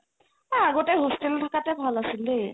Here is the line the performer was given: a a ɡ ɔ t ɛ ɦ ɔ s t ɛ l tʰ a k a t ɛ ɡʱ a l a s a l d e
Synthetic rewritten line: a a ɡ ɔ t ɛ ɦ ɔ s t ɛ l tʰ a k a t ɛ bʱ a l a s i l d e

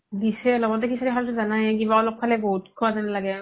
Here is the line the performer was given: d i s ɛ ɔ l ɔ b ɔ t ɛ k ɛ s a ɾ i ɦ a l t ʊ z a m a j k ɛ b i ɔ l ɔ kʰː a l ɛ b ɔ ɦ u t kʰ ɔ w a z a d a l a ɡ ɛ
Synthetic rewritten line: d i s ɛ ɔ l ɔ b ɔ t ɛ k i s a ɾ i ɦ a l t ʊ z a n a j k i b a ɔ l ɔ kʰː a l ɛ b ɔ ɦ u t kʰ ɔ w a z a n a l a ɡ ɛ

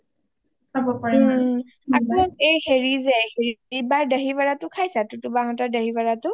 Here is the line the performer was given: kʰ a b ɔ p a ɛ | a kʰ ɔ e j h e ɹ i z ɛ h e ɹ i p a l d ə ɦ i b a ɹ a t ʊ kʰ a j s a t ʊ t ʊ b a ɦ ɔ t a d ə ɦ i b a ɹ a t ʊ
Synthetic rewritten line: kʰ a b ɔ p a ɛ | a k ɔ e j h e ɹ i z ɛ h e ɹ i b a ɹ d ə ɦ i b a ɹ a t ʊ kʰ a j s a t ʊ t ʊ b a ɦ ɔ t a d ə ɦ i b a ɹ a t ʊ

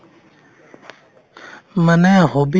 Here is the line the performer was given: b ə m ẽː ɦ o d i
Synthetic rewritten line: m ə n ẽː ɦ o b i

